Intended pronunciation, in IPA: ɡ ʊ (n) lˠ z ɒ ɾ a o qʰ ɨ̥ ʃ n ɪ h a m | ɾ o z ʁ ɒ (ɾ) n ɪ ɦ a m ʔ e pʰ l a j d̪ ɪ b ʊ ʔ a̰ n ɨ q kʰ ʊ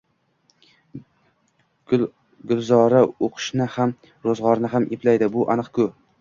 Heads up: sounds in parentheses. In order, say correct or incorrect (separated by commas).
incorrect, correct